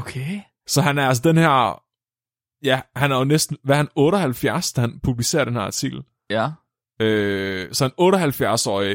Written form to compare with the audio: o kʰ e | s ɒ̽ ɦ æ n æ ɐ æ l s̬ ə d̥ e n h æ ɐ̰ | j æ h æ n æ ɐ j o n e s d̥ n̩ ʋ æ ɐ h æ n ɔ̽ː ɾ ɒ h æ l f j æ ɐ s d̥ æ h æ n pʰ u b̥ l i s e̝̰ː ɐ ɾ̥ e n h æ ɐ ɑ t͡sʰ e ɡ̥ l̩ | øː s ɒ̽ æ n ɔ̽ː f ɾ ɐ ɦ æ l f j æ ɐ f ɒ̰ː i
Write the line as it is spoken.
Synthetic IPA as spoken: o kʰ e | s ɒ̽ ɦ æ n æ ɐ æ l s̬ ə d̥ e n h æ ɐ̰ | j æ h æ n æ ɐ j o n e s d̥ n̩ ʋ æ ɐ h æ n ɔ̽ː ɾ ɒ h æ l f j æ ɐ s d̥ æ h æ n pʰ u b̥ l i s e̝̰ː ɐ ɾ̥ e n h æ ɐ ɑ t͡sʰ i ɡ̥ l̩ | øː s ɒ̽ æ n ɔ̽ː ɾ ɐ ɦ æ l f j æ ɐ s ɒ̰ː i